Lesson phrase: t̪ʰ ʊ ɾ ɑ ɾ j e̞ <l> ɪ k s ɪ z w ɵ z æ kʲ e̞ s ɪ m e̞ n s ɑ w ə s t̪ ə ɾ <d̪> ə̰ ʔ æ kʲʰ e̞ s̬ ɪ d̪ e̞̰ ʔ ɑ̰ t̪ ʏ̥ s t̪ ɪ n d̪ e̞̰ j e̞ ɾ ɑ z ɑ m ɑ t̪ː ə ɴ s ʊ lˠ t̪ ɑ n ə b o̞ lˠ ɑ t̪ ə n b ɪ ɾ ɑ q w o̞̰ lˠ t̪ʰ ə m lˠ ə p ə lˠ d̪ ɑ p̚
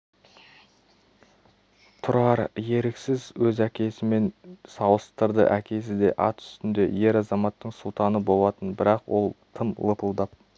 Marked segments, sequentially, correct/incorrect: incorrect, correct

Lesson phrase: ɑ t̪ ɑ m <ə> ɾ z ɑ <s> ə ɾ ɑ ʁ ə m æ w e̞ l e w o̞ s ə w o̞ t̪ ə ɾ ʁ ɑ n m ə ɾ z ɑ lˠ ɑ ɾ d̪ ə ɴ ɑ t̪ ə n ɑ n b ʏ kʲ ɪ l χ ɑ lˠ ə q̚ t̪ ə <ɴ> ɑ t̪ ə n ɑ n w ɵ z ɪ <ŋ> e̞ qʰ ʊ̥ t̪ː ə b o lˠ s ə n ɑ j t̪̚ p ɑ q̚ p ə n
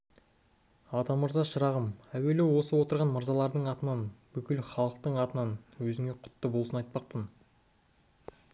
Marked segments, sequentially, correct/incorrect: correct, incorrect, correct, correct

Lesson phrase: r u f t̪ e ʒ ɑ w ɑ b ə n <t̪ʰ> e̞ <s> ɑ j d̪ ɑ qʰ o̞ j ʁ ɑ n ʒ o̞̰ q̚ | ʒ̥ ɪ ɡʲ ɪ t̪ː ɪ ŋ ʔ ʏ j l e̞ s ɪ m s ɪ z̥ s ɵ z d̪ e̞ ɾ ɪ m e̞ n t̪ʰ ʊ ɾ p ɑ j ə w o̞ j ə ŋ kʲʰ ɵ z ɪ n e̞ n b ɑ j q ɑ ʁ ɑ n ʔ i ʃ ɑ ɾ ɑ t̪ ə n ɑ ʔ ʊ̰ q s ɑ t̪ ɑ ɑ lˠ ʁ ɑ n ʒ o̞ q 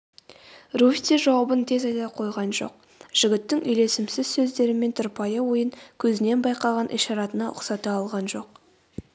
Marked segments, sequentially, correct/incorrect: correct, incorrect

